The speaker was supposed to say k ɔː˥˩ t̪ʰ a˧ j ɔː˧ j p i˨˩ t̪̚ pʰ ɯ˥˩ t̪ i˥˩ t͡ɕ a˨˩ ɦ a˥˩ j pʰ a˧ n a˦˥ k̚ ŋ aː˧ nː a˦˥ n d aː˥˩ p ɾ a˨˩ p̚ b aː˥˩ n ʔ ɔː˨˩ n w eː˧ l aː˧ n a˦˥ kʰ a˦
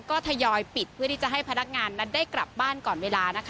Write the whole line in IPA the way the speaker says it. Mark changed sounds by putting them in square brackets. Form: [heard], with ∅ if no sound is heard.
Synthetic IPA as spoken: k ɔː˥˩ t̪ʰ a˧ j ɔː˧ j p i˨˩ t̪̚ pʰ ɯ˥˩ t̪ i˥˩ t͡ɕ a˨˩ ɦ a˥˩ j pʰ a˧ n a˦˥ k̚ ŋ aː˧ nː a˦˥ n d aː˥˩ [k] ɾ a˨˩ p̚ b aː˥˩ n [k] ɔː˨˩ n w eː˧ l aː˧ n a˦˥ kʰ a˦